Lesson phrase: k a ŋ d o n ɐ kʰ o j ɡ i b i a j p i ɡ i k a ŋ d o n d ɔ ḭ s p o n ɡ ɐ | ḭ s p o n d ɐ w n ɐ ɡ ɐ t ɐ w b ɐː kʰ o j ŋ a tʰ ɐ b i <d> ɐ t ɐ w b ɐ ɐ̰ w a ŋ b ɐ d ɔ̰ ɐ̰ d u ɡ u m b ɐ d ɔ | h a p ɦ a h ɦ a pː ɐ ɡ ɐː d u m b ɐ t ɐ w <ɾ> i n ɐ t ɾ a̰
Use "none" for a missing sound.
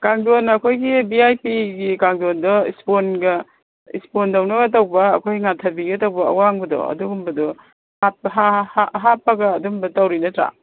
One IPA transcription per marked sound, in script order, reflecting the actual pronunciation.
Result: ɡ, ɾ

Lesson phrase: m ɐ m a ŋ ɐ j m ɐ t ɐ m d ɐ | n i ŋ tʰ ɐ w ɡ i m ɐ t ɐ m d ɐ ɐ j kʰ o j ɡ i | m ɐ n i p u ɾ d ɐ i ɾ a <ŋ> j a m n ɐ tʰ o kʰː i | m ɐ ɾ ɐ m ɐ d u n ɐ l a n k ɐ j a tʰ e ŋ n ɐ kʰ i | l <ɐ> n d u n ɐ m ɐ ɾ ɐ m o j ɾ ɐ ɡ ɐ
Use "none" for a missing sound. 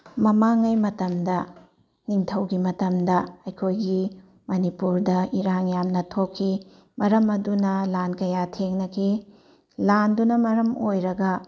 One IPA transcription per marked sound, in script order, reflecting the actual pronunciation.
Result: ŋ, a

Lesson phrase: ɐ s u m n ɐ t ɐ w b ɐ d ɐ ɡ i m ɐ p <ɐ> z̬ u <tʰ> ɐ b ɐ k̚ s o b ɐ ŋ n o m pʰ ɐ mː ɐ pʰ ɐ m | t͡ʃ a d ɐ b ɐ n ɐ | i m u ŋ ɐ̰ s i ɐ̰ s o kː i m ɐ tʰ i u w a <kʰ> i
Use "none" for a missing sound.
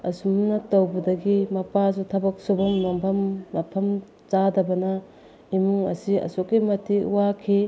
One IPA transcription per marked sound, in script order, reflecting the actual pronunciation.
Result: a, tʰ, kʰ

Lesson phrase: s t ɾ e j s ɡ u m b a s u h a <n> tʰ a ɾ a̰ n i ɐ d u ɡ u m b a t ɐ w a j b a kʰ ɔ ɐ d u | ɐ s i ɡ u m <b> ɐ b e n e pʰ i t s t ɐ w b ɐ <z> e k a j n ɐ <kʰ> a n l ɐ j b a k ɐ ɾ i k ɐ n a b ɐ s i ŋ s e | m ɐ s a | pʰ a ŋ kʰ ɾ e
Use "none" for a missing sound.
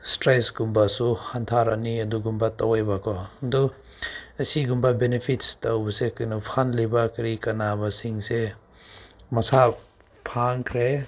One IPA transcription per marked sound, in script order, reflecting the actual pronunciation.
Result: n, b, s, pʰ

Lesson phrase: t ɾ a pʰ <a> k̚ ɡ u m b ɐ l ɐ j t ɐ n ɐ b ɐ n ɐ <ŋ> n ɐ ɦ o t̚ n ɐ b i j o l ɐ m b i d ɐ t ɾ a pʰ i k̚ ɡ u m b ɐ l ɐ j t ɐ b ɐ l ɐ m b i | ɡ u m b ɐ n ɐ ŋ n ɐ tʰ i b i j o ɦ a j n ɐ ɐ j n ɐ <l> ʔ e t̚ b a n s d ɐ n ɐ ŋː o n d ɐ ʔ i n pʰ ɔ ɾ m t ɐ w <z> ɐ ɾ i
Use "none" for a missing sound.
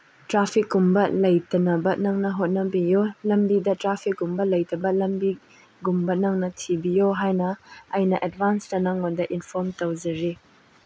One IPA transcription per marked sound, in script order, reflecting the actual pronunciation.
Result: i, ŋ, none, z

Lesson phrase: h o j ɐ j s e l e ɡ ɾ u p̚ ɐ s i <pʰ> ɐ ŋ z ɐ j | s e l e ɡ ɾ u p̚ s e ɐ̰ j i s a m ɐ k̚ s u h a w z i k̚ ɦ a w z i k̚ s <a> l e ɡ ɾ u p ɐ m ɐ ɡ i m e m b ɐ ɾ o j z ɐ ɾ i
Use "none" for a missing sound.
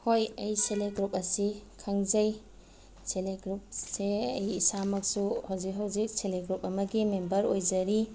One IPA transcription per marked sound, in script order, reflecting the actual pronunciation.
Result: kʰ, e

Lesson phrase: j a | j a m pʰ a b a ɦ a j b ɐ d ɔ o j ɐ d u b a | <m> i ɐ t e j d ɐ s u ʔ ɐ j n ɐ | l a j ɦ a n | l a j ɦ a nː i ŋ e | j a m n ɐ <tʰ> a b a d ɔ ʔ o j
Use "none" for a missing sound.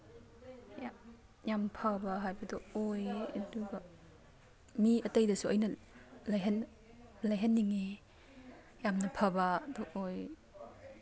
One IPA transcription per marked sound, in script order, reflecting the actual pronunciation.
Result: m, pʰ

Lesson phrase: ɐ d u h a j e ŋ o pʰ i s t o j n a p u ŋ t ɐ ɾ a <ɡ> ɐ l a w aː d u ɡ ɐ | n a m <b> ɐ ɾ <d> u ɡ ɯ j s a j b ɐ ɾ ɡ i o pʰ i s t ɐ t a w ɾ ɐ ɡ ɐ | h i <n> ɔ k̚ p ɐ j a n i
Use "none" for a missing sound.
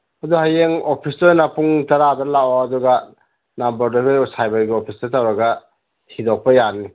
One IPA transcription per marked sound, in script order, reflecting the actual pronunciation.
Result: d, b, d, d

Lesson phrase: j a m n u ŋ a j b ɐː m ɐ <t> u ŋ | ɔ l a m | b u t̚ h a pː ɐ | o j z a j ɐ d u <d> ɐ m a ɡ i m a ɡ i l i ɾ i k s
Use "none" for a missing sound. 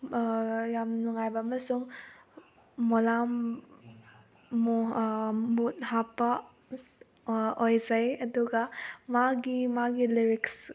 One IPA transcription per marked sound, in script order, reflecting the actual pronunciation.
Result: s, ɡ

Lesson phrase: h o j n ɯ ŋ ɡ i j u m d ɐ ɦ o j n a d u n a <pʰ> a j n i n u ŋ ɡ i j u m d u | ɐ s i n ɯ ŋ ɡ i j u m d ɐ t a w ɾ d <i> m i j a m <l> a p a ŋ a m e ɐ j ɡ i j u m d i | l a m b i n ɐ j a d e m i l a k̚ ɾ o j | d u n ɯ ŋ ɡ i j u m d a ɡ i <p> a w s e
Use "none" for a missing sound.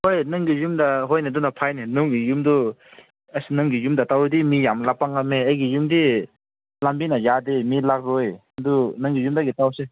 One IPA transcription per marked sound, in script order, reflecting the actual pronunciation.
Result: pʰ, i, l, t

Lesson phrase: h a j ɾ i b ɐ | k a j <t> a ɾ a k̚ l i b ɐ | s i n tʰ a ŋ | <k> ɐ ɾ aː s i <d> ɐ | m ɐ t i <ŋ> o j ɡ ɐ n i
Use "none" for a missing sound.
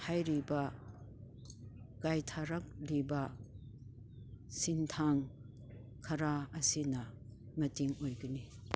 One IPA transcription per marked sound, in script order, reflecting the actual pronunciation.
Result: tʰ, kʰ, n, ŋ

